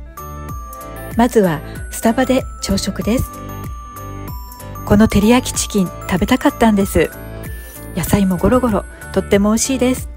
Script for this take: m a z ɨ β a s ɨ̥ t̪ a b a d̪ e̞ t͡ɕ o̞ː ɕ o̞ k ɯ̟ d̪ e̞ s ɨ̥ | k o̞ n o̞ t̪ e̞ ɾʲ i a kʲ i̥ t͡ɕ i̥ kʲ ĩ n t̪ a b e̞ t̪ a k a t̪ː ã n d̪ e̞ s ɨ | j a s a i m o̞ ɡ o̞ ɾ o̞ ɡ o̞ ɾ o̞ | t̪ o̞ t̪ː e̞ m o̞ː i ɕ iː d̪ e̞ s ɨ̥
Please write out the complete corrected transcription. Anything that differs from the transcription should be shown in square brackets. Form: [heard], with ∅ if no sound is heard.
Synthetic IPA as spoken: m a z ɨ β a s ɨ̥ t̪ a b a d̪ e̞ t͡ɕ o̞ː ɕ o̞ k ɯ̟ d̪ e̞ s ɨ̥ | k o̞ n o̞ t̪ e̞ ɾʲ i a kʲ i̥ t͡ɕ i̥ kʲ ĩ n t̪ a b e̞ t̪ a k a t̪ː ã n d̪ e̞ s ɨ | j a s a i m o̞ ɡ o̞ ɾ o̞ ɡ o̞ ɾ o̞ | t̪ o̞ t̪ː e̞ m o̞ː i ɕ iː d̪ e̞ s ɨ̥